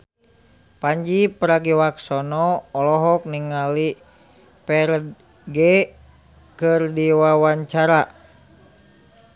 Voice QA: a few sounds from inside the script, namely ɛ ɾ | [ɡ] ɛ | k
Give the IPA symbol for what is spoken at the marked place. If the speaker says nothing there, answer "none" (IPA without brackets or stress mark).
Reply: ɡ